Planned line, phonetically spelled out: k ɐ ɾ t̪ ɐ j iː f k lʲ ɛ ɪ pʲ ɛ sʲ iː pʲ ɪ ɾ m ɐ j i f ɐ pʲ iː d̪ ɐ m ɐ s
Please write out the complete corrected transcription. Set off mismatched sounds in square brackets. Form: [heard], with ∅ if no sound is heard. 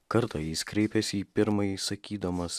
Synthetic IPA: k ɐ ɾ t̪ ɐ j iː [s] k [ɾʲ] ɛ ɪ pʲ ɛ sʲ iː pʲ ɪ ɾ m ɐ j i [s] ɐ [kʲ] iː d̪ ɐ m ɐ s